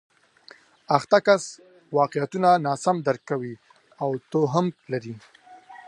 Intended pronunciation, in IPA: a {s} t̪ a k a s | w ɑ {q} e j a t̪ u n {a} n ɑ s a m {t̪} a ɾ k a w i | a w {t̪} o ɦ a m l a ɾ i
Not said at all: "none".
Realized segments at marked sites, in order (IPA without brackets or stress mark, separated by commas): x, q, a, d̪, t̪